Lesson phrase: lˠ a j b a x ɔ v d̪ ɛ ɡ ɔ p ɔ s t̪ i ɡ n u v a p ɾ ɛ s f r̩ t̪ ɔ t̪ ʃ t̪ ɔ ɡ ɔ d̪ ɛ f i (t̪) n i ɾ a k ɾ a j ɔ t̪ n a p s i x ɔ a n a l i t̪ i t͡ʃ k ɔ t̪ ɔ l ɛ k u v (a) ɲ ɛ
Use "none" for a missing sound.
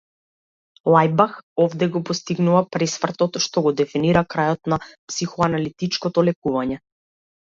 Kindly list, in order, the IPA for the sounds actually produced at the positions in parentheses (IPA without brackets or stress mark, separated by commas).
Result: none, a